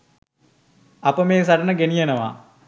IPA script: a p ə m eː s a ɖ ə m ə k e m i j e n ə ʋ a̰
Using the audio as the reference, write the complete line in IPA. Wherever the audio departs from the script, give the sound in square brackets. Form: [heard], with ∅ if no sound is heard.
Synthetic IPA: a p ə m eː s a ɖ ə [n] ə [ɡ] e [n] i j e n ə ʋ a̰